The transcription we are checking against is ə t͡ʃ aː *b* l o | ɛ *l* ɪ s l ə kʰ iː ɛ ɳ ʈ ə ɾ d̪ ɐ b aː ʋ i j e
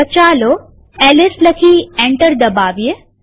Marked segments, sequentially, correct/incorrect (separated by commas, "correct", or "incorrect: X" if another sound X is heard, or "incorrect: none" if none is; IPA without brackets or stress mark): incorrect: none, correct